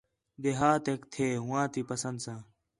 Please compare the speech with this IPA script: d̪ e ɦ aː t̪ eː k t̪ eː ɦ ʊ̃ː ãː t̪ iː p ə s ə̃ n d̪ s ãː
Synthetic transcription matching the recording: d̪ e ɦ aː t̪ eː k t̪ʰ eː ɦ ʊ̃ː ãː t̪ iː p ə s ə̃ n d̪ s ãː